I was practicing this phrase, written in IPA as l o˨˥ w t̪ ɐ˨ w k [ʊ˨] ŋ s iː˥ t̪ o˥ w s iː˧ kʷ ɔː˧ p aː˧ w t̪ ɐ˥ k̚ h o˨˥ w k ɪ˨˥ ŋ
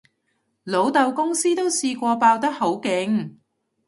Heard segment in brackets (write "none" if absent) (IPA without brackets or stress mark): ʊ˥